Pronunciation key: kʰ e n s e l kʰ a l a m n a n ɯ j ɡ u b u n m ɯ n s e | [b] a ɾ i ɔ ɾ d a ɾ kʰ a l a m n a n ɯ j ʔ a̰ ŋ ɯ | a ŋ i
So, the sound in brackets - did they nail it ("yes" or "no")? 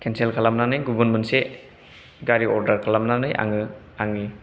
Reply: no